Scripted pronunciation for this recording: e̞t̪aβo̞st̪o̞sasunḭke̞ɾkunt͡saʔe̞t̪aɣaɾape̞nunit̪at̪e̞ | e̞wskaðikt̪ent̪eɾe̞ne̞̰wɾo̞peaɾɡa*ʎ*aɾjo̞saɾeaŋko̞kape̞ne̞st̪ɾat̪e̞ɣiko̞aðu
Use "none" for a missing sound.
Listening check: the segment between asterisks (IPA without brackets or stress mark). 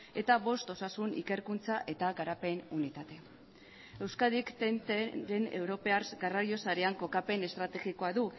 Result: r